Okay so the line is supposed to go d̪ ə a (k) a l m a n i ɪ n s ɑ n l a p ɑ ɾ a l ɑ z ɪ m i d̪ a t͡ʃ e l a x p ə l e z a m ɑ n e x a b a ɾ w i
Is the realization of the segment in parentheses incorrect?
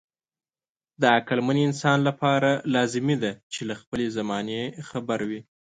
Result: no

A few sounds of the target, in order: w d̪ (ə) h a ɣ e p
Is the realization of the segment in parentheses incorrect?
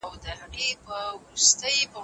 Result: no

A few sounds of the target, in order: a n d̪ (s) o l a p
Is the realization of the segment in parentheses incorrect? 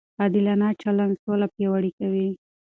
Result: no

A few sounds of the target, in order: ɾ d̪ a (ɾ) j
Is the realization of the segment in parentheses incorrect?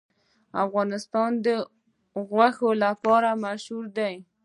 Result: yes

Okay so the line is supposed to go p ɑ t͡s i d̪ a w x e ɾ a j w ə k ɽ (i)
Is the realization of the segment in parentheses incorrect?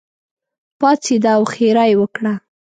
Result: yes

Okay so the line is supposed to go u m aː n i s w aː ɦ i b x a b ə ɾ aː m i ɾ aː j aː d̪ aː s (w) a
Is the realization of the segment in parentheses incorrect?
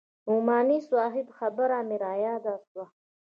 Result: no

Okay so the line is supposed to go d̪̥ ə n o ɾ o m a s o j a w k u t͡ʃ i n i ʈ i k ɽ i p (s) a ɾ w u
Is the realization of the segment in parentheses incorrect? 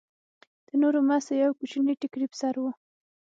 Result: no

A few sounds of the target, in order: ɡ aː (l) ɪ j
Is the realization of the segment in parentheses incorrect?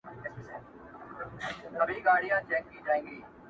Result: yes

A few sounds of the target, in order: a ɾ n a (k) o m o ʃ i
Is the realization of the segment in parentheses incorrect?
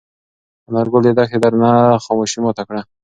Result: yes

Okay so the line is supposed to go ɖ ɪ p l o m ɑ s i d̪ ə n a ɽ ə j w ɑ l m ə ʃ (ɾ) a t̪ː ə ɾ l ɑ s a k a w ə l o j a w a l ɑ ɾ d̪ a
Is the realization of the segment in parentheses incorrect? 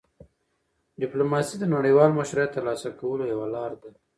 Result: no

